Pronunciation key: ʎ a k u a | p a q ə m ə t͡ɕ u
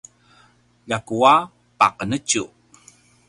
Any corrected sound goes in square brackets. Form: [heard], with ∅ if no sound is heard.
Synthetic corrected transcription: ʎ a k u a | p a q ə [n] ə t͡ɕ u